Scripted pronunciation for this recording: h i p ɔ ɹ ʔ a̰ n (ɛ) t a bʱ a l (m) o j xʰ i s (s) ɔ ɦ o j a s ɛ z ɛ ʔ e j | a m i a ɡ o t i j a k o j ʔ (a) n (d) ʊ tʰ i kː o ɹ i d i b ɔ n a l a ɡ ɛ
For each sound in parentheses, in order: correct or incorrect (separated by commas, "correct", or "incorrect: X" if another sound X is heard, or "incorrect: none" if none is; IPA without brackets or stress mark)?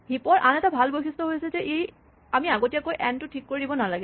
correct, incorrect: b, incorrect: t, incorrect: ɛ, incorrect: t